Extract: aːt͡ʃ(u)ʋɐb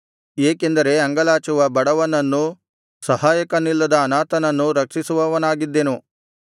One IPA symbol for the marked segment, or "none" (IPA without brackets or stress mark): u